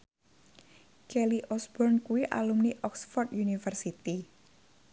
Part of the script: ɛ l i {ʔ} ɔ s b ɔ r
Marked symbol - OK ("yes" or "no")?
yes